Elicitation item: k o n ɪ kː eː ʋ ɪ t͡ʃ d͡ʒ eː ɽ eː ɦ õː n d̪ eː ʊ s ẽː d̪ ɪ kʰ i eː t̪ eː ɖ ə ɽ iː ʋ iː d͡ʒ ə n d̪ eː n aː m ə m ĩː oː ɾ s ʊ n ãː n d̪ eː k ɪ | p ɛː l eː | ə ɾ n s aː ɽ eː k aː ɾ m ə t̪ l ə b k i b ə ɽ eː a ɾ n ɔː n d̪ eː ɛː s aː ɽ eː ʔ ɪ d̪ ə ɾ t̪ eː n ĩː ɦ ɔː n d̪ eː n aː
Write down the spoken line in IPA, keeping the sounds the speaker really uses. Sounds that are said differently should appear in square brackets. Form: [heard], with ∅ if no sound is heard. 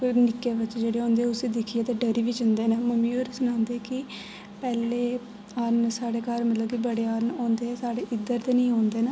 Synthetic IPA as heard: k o n ɪ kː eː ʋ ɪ t͡ʃ d͡ʒ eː ɽ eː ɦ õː n d̪ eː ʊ s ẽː d̪ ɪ kʰ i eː t̪ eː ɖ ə [ɾ] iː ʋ iː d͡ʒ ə n d̪ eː n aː m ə m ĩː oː ɾ s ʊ n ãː n d̪ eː k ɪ | p ɛː l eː | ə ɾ n s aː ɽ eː k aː ɾ m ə t̪ l ə b k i b ə ɽ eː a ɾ n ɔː n d̪ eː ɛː s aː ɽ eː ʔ ɪ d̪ ə ɾ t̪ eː n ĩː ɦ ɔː n d̪ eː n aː